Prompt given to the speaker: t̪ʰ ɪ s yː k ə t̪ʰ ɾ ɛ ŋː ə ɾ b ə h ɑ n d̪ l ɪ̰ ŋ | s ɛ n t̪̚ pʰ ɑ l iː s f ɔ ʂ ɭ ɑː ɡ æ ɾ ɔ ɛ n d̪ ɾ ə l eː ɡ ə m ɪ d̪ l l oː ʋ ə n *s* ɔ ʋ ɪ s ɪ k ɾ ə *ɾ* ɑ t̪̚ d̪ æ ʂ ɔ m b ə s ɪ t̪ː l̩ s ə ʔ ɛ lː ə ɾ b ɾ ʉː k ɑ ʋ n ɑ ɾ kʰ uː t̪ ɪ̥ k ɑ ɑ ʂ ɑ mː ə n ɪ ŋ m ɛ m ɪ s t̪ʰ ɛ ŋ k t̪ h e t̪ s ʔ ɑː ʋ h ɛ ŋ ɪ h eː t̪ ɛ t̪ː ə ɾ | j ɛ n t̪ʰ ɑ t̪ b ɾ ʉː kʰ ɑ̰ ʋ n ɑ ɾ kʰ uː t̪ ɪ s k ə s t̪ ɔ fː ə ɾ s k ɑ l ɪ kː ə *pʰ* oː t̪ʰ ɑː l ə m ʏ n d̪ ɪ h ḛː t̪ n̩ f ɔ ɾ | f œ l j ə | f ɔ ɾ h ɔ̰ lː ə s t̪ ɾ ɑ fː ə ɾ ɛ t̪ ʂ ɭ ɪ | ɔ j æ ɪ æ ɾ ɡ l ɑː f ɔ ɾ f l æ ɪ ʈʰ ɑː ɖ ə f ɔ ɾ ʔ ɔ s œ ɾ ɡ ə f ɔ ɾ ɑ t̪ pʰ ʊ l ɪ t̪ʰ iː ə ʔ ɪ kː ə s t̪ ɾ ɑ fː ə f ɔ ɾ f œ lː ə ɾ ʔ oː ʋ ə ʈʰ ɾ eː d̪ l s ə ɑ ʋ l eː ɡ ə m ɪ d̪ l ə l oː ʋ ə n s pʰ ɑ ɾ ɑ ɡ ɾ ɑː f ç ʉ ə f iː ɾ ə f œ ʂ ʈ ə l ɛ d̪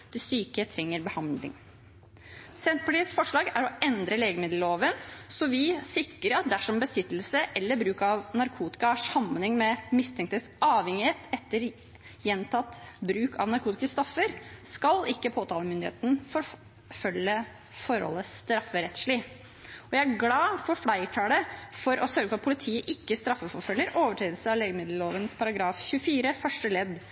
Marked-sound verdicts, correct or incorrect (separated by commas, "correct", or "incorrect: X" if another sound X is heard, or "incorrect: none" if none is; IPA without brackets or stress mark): correct, correct, correct